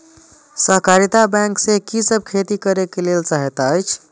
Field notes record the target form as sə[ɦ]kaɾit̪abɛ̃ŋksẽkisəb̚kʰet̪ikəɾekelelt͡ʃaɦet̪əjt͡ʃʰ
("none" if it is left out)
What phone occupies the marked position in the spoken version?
ɦ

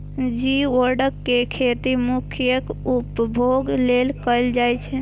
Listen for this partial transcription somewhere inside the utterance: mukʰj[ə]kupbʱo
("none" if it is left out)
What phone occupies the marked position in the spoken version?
ə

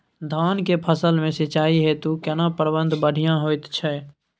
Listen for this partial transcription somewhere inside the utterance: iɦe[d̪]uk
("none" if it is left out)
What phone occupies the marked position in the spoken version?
t̪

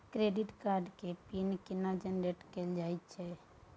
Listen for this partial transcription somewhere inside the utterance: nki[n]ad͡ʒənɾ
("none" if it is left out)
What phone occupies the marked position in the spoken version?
n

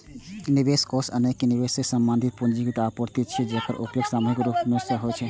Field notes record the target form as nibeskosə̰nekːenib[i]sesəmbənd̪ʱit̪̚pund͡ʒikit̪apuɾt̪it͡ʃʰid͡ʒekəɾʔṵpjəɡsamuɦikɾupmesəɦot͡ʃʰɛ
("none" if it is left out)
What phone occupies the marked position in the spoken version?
e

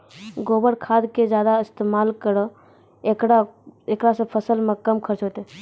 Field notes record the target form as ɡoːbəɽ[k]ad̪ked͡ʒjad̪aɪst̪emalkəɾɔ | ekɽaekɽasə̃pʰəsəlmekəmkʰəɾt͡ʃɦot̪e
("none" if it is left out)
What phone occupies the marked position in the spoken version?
kʰ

